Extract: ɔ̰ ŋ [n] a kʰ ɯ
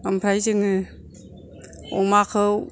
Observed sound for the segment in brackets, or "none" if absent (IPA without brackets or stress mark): m